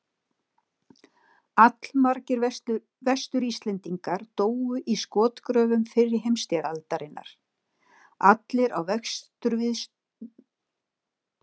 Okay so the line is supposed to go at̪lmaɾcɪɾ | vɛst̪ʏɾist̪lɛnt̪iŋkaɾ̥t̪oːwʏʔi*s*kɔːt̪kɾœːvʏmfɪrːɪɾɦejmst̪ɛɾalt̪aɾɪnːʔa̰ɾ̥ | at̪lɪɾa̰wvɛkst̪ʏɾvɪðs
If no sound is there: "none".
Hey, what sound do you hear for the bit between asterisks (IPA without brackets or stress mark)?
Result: s